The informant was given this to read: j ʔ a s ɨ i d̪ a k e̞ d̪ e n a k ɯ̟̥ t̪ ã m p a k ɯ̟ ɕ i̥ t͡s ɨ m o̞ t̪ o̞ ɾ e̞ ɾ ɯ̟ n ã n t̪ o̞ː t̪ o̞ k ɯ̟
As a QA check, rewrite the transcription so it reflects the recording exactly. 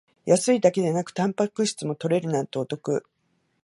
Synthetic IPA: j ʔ a s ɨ i d̪ a k e̞ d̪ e n a k ɯ̟̥ t̪ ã m p a k ɯ̟ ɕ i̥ t͡s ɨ m o̞ t̪ o̞ ɾ e̞ ɾ ɯ̟ n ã n t̪ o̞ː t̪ o̞ k ɯ̟